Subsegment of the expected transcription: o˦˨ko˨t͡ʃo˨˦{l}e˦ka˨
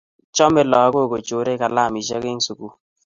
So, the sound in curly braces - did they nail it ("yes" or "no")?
no